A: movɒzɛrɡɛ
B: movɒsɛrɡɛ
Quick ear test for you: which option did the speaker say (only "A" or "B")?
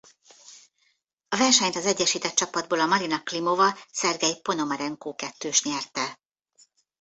B